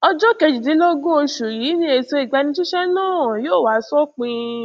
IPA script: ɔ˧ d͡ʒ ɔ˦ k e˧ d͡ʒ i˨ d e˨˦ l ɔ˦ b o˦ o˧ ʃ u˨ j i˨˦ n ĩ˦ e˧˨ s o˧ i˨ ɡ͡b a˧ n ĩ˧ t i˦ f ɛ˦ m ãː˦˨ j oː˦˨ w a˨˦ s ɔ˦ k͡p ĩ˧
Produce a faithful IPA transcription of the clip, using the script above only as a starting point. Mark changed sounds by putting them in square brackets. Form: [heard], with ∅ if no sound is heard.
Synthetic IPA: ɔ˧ d͡ʒ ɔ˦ k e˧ d͡ʒ i˨ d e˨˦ l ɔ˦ [ɡ] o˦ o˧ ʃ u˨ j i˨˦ n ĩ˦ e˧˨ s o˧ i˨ ɡ͡b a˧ n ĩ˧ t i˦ [ʃ] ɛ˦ [n] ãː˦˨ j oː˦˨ w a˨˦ s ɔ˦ k͡p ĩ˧